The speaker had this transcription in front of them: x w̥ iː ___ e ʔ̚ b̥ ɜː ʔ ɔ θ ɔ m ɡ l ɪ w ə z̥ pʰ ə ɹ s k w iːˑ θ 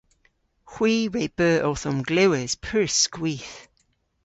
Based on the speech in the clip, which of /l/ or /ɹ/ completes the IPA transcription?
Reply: ɹ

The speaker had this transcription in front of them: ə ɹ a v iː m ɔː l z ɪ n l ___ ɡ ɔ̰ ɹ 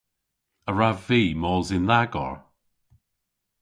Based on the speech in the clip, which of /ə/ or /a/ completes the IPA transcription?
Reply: a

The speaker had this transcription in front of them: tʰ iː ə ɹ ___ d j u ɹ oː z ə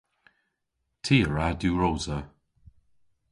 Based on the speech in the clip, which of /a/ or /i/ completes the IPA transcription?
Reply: a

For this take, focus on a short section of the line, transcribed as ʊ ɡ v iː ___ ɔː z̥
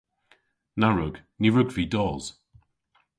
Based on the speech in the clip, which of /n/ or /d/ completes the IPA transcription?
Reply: d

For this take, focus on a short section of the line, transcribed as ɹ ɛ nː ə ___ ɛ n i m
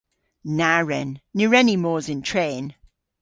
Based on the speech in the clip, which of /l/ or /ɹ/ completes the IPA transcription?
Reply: ɹ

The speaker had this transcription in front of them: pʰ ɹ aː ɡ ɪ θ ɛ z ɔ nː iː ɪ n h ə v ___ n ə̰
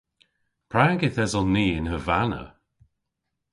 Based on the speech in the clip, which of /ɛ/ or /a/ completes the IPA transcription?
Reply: a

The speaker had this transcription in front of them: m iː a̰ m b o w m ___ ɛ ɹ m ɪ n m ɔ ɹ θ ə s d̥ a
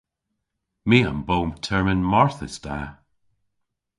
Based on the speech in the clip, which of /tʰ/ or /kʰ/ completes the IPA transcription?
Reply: tʰ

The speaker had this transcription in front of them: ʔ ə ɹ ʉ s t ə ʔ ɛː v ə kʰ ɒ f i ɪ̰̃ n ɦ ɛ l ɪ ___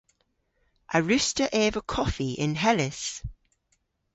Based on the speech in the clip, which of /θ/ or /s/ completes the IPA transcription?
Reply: s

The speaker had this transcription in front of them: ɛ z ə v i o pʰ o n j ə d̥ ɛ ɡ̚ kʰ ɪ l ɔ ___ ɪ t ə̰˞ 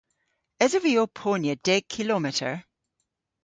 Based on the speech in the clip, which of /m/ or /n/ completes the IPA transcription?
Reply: m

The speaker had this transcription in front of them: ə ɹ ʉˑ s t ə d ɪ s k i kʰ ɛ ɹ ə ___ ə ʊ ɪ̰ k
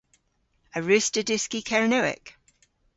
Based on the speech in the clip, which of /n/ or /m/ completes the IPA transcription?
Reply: n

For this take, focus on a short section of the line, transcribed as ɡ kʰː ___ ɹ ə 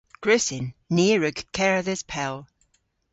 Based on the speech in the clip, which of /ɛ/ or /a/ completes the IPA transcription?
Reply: ɛ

